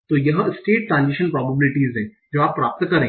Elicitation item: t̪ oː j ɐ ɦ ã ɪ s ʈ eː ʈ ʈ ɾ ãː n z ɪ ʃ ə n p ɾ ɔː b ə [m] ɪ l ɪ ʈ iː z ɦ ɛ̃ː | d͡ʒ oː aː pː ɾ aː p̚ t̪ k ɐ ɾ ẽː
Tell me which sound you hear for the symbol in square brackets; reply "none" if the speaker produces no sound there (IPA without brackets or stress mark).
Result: b